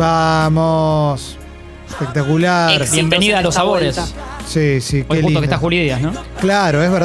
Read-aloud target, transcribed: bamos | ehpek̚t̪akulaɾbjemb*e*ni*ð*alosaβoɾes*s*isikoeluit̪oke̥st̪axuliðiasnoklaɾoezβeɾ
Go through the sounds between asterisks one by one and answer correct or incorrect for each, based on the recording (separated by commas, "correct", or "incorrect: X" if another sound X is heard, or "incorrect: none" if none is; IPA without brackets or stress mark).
correct, correct, correct